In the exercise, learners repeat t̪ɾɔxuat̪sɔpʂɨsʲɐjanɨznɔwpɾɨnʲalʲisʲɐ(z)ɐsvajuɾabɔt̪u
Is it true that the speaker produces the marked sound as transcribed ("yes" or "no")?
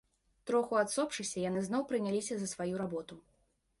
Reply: yes